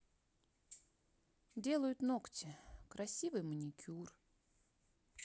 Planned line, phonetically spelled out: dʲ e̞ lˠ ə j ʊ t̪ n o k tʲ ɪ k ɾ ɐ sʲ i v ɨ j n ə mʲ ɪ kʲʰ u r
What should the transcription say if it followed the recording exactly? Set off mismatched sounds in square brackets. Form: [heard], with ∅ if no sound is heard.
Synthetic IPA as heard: dʲ e̞ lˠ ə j ʊ t̪ n o k tʲ ɪ k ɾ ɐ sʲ i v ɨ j [m] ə [nʲ] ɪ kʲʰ u r